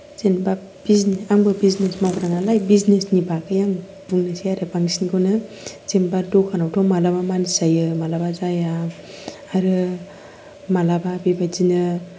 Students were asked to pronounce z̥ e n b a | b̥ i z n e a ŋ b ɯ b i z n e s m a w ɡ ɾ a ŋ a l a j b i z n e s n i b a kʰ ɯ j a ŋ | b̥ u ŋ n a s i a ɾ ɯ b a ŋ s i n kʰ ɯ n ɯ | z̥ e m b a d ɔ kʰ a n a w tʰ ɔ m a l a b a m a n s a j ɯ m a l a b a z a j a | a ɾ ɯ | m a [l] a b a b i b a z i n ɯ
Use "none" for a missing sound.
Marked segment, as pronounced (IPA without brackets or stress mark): l